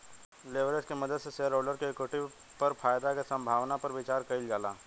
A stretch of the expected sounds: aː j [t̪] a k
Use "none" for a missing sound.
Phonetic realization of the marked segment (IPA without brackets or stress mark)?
d̪